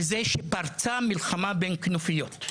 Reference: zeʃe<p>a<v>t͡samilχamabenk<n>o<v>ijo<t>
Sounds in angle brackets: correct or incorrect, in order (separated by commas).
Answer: correct, incorrect, correct, incorrect, correct